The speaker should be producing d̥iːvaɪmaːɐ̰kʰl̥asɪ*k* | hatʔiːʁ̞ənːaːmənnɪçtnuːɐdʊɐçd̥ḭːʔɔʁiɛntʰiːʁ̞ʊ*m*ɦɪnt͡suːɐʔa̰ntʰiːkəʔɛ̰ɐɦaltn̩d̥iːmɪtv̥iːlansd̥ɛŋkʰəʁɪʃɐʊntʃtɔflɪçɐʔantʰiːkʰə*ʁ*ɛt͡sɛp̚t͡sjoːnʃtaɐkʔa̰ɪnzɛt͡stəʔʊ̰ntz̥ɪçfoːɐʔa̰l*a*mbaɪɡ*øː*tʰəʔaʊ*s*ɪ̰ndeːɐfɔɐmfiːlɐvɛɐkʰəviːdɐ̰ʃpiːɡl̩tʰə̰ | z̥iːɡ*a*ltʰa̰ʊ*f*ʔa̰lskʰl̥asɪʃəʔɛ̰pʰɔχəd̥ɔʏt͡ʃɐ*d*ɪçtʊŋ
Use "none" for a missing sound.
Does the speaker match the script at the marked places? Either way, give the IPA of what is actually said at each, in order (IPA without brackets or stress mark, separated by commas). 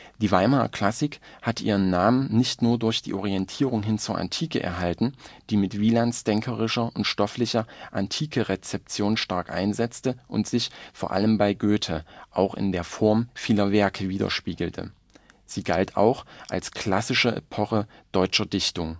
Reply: k, ŋ, ʁ, ə, øː, x, a, x, d